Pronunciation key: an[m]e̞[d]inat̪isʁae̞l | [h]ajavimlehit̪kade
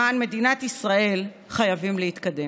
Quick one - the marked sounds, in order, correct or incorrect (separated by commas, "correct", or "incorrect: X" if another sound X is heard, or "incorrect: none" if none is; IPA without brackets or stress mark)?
correct, correct, incorrect: χ